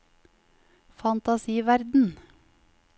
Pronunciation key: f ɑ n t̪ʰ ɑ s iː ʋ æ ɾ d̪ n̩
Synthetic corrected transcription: f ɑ n t̪ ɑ s iː ʋ æ ɾ d̪ n̩